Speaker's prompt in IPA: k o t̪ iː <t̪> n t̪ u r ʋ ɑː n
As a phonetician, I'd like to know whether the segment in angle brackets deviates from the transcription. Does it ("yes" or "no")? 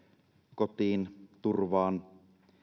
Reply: yes